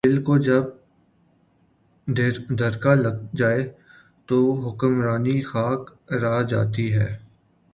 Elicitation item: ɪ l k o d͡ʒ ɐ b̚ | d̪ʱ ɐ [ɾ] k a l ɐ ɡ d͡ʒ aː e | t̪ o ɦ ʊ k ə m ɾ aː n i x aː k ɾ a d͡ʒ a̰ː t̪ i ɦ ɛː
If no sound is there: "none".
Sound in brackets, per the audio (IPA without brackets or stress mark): ɾ